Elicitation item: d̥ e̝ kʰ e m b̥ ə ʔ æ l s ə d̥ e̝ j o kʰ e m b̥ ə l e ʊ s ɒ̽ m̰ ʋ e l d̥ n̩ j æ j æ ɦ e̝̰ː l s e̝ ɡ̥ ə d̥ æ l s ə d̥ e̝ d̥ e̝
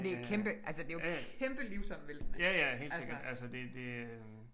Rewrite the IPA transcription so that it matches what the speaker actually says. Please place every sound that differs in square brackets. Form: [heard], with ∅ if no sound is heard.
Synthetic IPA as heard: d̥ e̝ kʰ e m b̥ ə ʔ æ l s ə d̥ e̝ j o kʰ e m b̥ ə l [i] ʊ s ɒ̽ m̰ ʋ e l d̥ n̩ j æ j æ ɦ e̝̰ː l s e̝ ɡ̥ [ɐ] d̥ æ l s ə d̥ e̝ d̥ e̝